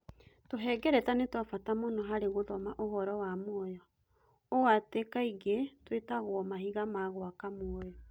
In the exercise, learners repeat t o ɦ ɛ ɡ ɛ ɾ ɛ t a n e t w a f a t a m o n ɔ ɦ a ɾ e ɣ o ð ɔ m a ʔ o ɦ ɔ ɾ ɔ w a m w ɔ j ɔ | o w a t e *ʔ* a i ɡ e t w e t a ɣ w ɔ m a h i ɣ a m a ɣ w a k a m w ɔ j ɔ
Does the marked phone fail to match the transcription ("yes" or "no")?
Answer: yes